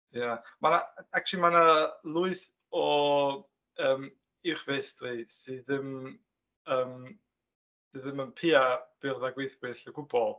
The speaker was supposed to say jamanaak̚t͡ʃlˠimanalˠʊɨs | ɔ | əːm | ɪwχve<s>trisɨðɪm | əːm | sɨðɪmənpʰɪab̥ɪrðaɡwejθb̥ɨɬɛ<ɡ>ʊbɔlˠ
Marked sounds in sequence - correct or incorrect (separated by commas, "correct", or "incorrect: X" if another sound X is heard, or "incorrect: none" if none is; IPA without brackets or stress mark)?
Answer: correct, correct